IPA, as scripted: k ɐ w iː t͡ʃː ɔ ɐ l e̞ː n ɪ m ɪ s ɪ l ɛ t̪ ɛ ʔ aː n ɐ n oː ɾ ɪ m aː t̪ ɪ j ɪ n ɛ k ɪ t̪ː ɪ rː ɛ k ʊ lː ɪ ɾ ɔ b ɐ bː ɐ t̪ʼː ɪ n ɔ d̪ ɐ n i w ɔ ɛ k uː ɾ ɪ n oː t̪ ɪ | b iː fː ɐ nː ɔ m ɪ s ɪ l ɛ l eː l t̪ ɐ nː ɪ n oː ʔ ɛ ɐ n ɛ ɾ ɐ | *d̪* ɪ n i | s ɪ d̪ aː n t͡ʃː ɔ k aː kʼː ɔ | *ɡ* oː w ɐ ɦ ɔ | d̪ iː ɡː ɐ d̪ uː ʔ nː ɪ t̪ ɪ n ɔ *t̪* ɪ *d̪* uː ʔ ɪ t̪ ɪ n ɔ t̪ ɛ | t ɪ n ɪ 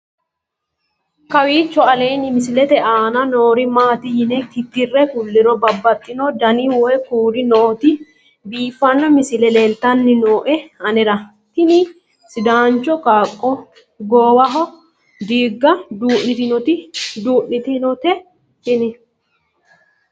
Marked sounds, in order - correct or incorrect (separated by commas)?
incorrect, correct, correct, correct